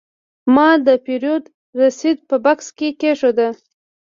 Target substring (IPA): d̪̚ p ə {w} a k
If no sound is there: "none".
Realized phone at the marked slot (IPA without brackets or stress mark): b